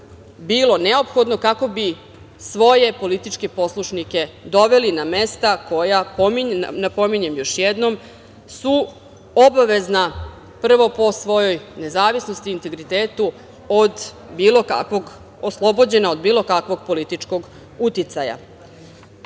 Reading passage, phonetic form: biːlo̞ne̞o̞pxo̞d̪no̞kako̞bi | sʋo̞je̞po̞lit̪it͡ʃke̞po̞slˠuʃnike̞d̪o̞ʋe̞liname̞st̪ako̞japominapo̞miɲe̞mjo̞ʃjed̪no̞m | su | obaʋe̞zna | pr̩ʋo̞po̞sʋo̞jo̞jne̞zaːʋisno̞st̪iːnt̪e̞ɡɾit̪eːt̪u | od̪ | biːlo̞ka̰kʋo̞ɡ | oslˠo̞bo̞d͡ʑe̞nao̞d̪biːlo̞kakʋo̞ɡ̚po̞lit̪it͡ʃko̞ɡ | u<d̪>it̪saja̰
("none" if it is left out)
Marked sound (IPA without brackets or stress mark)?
t̪